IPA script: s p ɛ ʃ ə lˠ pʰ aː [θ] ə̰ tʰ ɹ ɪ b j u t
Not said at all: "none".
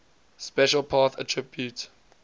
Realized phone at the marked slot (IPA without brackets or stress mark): θ